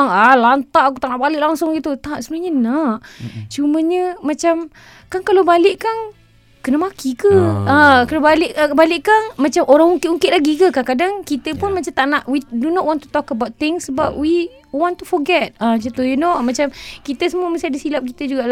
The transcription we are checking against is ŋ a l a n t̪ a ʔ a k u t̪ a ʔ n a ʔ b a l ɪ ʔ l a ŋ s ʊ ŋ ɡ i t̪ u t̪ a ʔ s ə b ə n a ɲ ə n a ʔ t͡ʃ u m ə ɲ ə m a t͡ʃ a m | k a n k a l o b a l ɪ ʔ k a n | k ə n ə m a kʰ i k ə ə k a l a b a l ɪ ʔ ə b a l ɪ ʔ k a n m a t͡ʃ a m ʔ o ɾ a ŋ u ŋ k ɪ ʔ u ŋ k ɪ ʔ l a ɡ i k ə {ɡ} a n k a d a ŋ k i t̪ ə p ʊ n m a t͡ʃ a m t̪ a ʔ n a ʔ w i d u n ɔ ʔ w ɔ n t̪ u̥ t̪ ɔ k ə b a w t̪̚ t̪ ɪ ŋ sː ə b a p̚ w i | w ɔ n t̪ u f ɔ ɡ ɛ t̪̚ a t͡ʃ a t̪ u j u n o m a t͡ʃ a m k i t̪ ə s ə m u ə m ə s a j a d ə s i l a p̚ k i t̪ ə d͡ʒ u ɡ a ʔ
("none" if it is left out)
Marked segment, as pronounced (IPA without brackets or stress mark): k